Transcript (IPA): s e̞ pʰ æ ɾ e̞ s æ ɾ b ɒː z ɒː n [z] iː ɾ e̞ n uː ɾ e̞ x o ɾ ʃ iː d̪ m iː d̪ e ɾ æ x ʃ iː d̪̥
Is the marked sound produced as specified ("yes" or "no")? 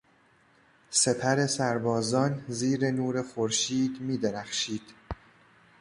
yes